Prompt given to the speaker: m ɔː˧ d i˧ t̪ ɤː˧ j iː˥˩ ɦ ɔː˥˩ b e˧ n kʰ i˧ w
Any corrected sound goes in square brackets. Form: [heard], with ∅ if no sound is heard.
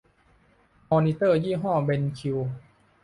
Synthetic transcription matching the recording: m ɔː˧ [n] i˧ t̪ [ɤː˥˩] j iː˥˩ ɦ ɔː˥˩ b e˧ n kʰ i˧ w